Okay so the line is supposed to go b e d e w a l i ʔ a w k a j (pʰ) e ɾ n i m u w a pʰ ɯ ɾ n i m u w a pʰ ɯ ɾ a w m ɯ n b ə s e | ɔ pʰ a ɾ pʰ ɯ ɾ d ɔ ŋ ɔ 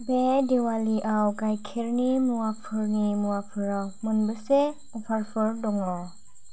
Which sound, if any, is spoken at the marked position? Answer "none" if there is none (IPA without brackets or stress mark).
kʰ